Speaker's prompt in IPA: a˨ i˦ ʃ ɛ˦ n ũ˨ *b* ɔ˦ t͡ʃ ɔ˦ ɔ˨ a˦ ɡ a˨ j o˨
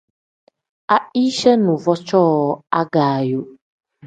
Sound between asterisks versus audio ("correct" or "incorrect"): incorrect